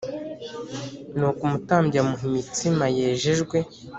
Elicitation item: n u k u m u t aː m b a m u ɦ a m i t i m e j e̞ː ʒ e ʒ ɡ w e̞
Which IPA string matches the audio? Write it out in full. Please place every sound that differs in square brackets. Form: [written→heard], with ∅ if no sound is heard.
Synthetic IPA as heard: n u k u m u t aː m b a m u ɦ [a→i] m i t i m [e→a] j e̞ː ʒ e ʒ ɡ w e̞